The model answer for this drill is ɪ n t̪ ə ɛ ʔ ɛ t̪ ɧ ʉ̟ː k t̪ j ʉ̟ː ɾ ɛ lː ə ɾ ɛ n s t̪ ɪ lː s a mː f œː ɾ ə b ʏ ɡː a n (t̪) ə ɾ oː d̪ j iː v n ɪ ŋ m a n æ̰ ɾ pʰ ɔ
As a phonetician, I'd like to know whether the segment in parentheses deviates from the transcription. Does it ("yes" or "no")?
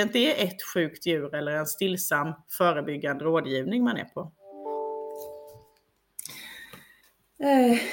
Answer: yes